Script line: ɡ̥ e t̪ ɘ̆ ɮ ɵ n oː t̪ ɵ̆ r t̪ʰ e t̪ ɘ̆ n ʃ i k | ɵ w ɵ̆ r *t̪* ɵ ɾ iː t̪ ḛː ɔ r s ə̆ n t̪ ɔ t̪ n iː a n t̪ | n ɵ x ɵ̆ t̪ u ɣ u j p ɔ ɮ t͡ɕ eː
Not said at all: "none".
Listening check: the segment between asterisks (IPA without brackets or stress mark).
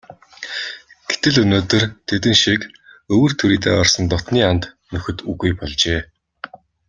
t̪ʰ